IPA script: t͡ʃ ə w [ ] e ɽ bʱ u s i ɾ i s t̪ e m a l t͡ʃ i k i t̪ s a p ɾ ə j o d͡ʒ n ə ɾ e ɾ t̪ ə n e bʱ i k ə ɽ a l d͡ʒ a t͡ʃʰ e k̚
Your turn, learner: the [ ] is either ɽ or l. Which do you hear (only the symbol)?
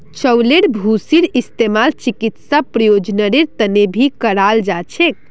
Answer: l